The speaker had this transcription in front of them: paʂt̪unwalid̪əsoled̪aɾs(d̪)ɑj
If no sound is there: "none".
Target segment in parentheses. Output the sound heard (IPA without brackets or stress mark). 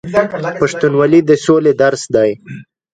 d̪